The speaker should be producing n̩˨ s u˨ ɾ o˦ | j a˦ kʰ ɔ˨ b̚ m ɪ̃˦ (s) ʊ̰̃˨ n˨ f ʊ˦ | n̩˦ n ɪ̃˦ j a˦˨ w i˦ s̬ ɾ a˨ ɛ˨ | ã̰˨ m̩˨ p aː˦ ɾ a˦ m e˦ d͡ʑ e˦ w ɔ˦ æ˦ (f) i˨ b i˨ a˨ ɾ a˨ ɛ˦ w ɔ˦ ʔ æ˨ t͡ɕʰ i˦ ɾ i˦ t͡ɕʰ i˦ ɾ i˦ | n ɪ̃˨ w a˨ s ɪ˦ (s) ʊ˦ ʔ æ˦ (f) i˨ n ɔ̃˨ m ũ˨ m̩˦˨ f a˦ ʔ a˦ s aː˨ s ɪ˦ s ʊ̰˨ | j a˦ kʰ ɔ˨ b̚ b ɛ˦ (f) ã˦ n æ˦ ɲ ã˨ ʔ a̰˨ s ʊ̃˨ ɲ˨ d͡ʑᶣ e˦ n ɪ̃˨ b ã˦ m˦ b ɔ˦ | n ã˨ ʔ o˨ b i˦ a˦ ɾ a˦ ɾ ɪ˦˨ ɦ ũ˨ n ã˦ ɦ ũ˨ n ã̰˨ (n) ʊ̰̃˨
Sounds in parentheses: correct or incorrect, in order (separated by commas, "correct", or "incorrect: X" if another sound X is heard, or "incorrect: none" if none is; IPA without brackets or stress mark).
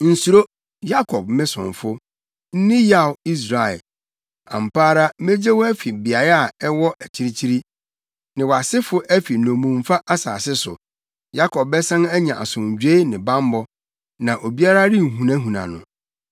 correct, correct, incorrect: f, correct, incorrect: s, correct